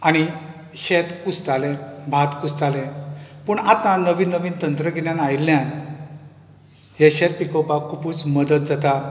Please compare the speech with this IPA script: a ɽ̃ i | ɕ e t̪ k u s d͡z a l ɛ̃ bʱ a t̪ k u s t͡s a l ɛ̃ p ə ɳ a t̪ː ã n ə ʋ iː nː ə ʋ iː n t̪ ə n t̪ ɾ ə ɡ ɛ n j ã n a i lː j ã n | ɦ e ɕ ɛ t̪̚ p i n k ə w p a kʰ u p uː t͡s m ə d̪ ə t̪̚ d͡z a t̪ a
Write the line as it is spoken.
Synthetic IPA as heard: a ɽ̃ i | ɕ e t̪ k u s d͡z a l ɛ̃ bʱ a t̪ k u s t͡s a l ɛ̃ p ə ɳ a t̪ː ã n ə ʋ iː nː ə ʋ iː n t̪ ə n t̪ ɾ ə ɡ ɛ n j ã n a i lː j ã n | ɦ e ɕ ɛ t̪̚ p i k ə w p a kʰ u p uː t͡s m ə d̪ ə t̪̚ d͡z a t̪ a